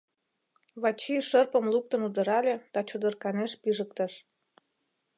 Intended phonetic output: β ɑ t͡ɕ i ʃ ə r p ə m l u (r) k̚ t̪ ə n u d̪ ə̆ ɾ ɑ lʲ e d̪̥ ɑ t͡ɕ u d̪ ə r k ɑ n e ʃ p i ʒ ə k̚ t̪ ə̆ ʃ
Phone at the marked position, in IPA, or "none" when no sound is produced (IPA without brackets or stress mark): none